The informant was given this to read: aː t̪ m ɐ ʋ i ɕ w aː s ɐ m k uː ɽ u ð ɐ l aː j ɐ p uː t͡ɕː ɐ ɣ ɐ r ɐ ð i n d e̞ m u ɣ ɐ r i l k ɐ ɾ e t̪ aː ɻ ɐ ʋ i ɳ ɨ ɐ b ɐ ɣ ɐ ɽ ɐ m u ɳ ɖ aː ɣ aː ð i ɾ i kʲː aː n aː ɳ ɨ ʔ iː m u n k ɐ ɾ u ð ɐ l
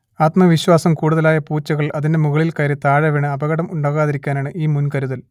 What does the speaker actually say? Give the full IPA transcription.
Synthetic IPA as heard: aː t̪ m ɐ ʋ i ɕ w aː s ɐ m k uː ɽ u ð ɐ l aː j ɐ p uː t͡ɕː ɐ ɣ ɐ ɭ ɐ ð i n d e̞ m u ɣ ɐ ɭ i l k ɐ ɾ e t̪ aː ɻ ɐ ʋ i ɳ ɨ ɐ b ɐ ɣ ɐ ɽ ɐ m u ɳ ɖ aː ɣ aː ð i ɾ i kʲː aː n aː ɳ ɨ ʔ iː m u n k ɐ ɾ u ð ɐ l